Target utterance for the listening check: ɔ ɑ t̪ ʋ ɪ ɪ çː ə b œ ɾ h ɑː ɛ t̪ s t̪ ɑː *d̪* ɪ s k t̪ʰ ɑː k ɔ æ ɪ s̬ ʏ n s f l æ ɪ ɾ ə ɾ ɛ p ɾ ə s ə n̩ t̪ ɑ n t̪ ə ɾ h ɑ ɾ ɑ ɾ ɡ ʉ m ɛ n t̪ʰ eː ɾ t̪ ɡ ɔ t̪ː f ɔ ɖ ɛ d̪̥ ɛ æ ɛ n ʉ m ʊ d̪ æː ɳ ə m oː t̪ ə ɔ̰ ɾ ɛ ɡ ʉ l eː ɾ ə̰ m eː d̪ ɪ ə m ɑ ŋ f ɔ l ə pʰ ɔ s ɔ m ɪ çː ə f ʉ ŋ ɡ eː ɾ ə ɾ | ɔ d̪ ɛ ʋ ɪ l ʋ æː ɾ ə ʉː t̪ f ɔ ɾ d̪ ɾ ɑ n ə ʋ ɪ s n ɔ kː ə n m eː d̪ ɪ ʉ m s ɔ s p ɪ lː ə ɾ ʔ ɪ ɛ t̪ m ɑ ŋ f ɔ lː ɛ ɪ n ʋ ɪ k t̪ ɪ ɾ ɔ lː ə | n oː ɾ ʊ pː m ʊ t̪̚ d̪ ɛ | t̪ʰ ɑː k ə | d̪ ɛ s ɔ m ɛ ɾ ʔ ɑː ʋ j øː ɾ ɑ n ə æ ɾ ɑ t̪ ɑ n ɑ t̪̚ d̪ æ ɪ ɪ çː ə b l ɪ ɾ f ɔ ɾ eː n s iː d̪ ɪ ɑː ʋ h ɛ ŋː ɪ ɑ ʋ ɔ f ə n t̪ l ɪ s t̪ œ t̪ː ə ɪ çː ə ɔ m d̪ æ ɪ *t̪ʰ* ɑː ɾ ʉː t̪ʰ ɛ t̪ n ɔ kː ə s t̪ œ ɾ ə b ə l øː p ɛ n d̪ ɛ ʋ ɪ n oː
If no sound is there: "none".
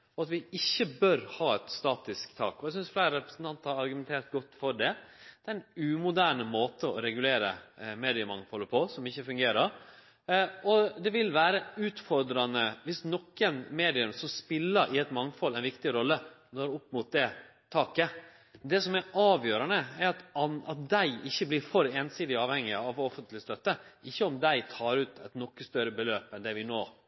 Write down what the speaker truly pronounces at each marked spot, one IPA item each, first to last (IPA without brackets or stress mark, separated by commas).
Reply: t̪, t̪ʰ